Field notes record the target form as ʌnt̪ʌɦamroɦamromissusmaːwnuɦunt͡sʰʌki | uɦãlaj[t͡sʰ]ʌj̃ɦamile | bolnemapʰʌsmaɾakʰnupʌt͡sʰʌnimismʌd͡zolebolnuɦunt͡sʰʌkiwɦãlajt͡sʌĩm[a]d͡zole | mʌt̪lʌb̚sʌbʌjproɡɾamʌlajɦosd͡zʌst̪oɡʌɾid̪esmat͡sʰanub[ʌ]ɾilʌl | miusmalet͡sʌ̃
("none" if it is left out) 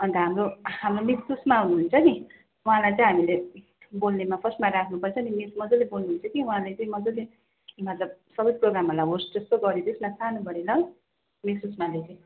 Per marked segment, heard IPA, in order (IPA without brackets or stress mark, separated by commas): t͡s, ʌ, ʌ